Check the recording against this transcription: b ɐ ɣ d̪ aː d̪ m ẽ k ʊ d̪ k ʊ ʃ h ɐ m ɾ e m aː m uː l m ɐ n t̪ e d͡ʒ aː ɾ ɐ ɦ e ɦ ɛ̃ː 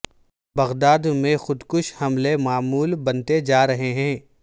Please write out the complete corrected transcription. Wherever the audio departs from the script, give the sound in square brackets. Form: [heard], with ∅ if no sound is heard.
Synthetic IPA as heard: b ɐ ɣ d̪ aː d̪ m ẽ [x] ʊ d̪ k ʊ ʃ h ɐ m [l] e m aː m uː l [b] ɐ n t̪ e d͡ʒ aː ɾ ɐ ɦ e ɦ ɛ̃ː

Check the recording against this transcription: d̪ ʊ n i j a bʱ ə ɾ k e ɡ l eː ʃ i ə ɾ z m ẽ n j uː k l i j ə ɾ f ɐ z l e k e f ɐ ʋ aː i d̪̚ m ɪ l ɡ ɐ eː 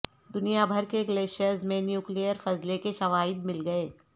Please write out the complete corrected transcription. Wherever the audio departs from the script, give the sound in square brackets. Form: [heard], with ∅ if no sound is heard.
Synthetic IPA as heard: d̪ ʊ n i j a bʱ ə ɾ k e ɡ l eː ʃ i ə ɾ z m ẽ n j uː k l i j ə ɾ f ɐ z l e k e [ʃ] ɐ ʋ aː [ɪ] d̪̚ m ɪ l ɡ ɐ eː

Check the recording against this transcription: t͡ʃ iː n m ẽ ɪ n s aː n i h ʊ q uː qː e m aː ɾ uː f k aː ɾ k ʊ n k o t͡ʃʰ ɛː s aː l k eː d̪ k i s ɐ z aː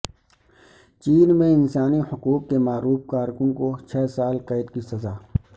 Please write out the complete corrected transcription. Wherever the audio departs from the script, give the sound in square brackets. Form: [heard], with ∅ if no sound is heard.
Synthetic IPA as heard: t͡ʃ iː n m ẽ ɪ n s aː n i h ʊ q uː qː e m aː ɾ uː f k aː ɾ k ʊ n k o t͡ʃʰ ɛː s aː l [q] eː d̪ k i s ɐ z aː

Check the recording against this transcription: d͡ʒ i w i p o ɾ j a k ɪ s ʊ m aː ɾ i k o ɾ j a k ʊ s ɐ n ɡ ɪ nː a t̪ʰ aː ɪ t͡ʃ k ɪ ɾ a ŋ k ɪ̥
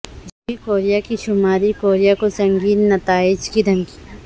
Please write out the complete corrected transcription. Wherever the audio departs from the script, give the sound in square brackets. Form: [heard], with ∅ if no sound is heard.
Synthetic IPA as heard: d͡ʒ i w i [k] o ɾ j a k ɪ [ʃ] ʊ m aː ɾ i k o ɾ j a k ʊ s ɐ [ŋ] ɡ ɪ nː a [t̪] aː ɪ t͡ʃ k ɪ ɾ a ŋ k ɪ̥

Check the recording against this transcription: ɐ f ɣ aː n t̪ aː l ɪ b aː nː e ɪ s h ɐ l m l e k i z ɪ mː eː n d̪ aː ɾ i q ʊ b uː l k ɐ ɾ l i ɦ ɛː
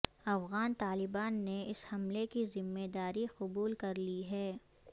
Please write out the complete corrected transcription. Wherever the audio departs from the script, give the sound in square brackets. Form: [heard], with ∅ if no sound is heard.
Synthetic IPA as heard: ɐ f ɣ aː n t̪ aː l ɪ b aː nː e ɪ s h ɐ [∅] m l e k i z ɪ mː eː [∅] d̪ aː ɾ i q ʊ b uː l k ɐ ɾ l i ɦ ɛː

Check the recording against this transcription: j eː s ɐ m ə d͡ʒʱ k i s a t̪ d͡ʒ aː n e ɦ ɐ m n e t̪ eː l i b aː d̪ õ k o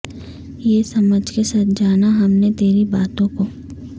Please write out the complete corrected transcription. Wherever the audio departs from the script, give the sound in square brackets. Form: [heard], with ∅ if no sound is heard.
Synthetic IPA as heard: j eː s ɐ m ə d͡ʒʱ k [e] s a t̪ d͡ʒ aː n [a] ɦ ɐ m n e t̪ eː [ɾ] i b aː [t̪] õ k o

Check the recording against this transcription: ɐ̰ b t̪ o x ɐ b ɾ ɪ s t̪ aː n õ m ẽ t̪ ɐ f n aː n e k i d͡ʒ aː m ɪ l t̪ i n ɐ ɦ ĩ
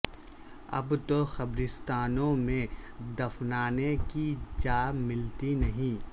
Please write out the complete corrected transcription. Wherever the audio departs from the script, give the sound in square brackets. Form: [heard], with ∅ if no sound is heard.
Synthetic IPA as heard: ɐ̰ b t̪ o x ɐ b ɾ ɪ s t̪ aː n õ m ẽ [d̪] ɐ f n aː n e k i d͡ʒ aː m ɪ l t̪ i n ɐ ɦ ĩ

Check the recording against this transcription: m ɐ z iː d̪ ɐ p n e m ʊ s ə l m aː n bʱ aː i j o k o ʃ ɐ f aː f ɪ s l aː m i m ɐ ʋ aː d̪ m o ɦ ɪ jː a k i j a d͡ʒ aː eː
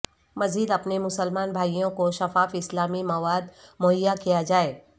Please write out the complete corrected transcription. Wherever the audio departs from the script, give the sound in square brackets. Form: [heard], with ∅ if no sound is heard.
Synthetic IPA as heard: m ɐ z iː d̪ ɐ p n e m ʊ s ə l m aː n bʱ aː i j [õ] k o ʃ ɐ f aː f ɪ s l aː m i m ɐ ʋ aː d̪ m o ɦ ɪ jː a k i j a d͡ʒ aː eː

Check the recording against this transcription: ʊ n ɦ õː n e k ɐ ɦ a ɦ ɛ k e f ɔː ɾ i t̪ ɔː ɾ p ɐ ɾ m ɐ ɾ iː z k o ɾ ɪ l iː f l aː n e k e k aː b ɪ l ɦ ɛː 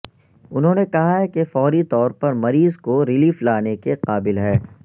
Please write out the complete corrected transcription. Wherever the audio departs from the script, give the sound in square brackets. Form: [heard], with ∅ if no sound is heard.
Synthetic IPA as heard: ʊ n ɦ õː n e k ɐ ɦ a ɦ ɛ k e f ɔː ɾ i t̪ ɔː ɾ p ɐ ɾ m ɐ ɾ iː z k o ɾ ɪ l iː f l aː n e k e [q] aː b ɪ l ɦ ɛː

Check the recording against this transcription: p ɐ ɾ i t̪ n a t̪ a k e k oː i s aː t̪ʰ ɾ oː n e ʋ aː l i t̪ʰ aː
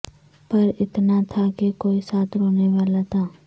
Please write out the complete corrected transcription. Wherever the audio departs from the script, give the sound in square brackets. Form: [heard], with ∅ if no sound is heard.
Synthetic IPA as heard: p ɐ ɾ [ɪ] t̪ n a [t̪ʰ] a k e k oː i s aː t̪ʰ ɾ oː n e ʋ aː l [a] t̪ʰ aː

